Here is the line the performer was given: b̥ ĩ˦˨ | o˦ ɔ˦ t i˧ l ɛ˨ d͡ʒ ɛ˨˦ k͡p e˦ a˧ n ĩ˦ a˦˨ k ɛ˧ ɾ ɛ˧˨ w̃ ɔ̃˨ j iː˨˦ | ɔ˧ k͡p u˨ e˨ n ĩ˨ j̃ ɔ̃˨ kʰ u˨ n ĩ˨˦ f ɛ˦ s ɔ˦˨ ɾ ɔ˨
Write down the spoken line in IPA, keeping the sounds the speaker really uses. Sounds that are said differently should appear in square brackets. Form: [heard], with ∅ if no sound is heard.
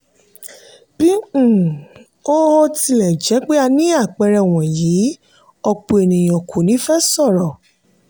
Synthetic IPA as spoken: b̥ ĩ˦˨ | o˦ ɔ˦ t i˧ l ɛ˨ d͡ʒ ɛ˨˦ k͡p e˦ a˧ n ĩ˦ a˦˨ [k͡p] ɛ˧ ɾ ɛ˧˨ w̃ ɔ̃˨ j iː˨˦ | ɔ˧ k͡p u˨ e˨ n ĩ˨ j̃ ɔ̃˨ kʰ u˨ n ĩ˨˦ f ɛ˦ s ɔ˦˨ ɾ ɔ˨